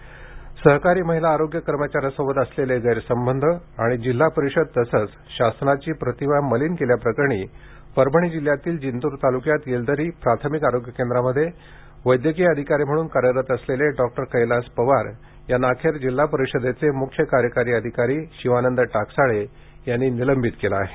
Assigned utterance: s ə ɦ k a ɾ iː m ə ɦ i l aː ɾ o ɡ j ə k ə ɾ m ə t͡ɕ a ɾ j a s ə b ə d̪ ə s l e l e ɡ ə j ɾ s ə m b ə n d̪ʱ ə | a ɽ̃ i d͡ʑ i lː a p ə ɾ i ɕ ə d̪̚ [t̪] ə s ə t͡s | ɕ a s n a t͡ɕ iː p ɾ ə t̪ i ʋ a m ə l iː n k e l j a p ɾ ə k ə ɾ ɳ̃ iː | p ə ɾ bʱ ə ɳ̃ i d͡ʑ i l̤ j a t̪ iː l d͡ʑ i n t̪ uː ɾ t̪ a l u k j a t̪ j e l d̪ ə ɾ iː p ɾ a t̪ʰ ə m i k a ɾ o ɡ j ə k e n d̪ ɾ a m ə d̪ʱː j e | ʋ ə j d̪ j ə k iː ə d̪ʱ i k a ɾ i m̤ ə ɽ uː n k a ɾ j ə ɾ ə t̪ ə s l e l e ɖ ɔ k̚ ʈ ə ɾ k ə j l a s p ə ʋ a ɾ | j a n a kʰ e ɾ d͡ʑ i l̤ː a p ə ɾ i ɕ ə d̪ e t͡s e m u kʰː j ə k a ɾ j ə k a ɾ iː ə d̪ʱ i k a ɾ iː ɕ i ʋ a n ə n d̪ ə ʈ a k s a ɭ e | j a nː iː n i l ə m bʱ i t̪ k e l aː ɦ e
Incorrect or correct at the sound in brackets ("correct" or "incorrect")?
correct